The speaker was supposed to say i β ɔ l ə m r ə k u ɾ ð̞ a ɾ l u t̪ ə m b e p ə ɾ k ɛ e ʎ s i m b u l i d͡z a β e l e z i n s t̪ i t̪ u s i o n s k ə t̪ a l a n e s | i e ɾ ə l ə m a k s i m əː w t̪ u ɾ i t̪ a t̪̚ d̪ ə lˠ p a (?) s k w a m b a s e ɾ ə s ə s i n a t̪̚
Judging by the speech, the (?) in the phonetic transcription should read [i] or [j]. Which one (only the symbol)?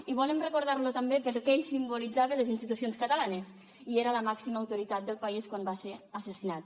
i